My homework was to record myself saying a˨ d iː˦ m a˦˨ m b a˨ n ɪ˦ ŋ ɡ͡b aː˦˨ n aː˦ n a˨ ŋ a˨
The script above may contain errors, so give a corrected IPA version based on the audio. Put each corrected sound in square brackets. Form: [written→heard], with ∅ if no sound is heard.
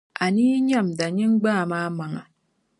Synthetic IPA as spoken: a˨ [d→n] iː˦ [m→ɲ] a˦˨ m [b→d] a˨ [n→ɲ] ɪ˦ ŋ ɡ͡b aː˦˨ [n→m] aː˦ [n→m] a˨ ŋ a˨